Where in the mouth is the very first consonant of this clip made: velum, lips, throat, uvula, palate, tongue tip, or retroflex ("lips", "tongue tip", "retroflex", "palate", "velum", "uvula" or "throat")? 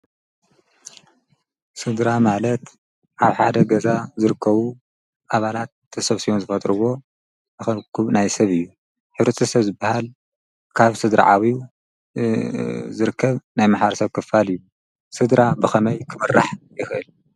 tongue tip